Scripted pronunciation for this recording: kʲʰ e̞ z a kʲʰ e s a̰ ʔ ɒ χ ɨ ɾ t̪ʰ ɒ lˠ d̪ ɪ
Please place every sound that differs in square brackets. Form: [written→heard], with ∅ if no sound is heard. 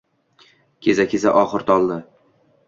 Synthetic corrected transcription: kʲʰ e̞ z a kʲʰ e [s→z] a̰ ʔ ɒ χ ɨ ɾ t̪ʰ ɒ lˠ d̪ ɪ